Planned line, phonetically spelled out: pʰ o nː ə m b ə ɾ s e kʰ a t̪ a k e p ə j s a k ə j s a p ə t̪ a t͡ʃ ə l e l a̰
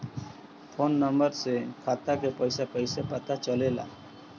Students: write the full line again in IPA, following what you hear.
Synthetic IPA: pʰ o nː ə m b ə ɾ s e kʰ a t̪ a k e p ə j s a p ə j s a p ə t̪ a t͡ʃ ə l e l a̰